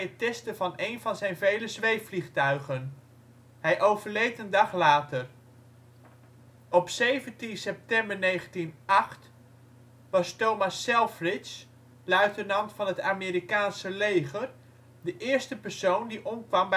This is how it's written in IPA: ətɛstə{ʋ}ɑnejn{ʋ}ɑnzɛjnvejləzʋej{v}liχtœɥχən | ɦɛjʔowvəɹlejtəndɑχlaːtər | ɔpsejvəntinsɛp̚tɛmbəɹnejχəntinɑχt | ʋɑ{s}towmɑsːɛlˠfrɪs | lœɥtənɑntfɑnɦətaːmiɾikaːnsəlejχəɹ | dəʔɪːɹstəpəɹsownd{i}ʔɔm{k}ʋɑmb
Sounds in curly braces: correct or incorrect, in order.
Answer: incorrect: v, incorrect: v, incorrect: f, correct, correct, correct

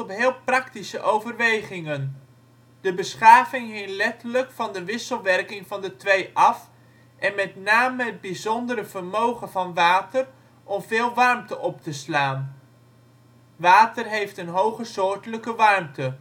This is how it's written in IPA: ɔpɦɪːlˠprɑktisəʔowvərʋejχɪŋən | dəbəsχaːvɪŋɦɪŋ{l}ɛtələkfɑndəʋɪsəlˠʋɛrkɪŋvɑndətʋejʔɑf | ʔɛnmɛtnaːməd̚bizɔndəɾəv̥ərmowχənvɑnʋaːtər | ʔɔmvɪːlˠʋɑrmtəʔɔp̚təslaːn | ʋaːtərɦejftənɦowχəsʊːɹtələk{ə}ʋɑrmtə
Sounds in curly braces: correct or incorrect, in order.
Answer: correct, correct

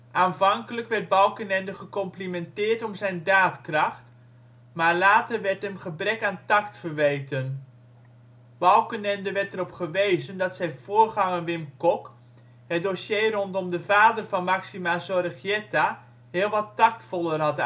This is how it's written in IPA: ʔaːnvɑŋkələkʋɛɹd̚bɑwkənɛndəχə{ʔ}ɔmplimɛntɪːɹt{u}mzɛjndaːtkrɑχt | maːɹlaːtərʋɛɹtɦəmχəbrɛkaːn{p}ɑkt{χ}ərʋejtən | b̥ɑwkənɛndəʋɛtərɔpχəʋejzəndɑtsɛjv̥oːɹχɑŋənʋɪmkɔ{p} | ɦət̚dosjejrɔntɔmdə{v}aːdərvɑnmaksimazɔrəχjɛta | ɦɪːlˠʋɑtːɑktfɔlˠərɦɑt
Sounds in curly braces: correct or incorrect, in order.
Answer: incorrect: k, incorrect: ɔ, incorrect: t, incorrect: f, incorrect: k, correct

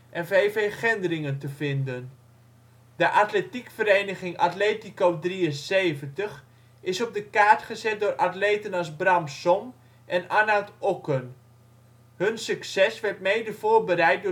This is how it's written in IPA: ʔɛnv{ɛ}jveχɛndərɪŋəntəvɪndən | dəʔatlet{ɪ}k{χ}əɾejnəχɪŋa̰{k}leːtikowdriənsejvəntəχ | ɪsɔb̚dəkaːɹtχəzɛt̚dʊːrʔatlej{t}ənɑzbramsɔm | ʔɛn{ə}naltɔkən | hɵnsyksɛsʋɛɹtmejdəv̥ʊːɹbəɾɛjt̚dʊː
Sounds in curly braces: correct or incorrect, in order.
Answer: incorrect: e, incorrect: i, incorrect: f, incorrect: t, correct, incorrect: a

